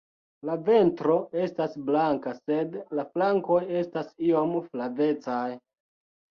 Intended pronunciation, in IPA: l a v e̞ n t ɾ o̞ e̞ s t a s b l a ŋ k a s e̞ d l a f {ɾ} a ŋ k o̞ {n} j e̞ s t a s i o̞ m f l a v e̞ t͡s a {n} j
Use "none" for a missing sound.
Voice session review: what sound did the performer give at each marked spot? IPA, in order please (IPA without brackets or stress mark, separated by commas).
l, none, none